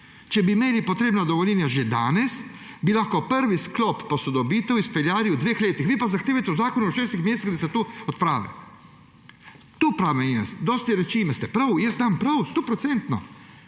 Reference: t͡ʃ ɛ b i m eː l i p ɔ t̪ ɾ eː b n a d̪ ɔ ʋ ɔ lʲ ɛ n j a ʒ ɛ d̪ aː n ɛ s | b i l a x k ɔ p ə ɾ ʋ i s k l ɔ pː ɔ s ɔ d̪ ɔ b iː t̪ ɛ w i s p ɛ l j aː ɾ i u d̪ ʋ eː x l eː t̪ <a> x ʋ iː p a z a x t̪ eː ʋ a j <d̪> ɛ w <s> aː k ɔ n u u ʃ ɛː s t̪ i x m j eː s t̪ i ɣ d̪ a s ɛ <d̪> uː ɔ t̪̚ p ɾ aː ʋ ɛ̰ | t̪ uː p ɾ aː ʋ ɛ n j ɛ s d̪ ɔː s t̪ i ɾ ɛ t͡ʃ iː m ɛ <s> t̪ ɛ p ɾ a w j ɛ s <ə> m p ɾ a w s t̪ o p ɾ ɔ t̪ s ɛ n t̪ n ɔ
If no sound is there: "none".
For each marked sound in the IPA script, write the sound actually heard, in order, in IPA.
i, t̪, z, t̪, s, a

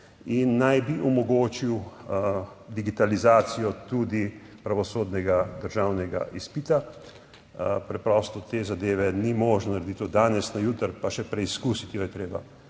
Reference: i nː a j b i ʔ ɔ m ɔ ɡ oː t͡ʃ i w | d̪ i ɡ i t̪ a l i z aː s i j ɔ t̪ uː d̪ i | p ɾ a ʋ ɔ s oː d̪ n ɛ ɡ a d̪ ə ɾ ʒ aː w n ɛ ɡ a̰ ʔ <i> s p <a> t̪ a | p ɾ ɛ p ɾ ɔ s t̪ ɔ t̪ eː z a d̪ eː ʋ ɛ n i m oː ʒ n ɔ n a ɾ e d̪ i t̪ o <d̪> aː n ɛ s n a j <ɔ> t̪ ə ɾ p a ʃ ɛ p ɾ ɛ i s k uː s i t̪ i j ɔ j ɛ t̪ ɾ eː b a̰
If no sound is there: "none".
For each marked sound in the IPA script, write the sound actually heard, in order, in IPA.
i, i, d̪, u

